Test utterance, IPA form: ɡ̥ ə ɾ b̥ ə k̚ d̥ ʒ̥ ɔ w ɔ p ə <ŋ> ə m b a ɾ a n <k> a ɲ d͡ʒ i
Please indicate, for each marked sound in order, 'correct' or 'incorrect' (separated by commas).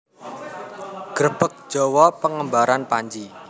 correct, incorrect